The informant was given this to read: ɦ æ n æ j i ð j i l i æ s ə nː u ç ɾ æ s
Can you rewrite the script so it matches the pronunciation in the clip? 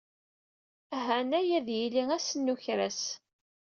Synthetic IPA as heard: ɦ æ n æ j æ ð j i l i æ s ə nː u ç ɾ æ s

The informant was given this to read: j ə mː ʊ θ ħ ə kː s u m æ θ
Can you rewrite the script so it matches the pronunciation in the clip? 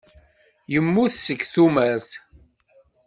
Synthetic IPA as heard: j ə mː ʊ θ s ə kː θ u m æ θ

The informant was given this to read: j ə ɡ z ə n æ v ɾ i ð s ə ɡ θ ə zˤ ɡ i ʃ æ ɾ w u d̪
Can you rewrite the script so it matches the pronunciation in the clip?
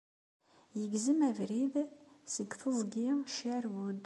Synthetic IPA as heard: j ə ɡ z ə m æ v ɾ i ð s ə ɡ θ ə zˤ ɡ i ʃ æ ɾ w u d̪

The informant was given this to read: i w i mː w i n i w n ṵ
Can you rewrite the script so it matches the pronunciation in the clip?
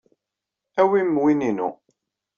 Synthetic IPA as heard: æ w i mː w i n i n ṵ

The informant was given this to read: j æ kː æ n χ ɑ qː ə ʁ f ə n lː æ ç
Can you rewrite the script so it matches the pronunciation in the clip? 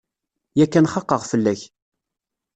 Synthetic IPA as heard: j æ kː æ n χ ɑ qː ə ʁ f ə lː æ ç

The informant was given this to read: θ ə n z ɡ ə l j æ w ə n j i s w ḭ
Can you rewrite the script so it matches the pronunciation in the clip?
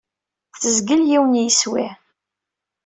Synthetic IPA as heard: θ ə z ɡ ə l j i w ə n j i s w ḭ

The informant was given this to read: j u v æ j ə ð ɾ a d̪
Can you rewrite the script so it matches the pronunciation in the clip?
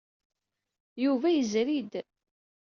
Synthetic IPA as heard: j u v æ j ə z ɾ i d̪

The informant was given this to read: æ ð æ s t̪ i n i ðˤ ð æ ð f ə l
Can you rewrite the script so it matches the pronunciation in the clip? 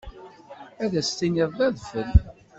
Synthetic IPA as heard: æ ð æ s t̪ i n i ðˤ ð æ ð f ə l

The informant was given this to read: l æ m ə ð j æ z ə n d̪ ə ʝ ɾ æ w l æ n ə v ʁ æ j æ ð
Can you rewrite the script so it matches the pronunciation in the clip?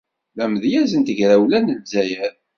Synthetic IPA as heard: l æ m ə ð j æ z ə n t̪ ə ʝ ɾ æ w l æ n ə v z æ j æ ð

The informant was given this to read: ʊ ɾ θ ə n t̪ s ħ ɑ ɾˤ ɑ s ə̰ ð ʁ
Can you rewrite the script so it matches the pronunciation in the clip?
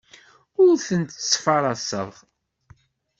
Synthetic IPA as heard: ʊ ɾ θ ə n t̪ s f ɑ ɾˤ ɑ s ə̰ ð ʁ

